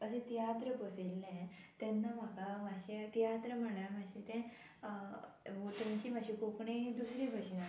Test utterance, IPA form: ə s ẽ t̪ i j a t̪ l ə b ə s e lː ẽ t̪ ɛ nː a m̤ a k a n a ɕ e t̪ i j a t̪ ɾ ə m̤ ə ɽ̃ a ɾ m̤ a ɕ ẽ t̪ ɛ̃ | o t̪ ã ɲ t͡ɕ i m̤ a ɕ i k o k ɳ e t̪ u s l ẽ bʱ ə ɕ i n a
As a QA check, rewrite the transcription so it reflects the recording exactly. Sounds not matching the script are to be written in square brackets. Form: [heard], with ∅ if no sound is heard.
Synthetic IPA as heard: ə s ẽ t̪ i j a t̪ [ɾ] ə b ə s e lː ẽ t̪ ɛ nː a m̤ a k a [m] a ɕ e t̪ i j a t̪ ɾ ə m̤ ə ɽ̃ a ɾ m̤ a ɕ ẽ t̪ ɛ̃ | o t̪ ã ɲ t͡ɕ i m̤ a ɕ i k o k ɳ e [d̪] u s [ɾ] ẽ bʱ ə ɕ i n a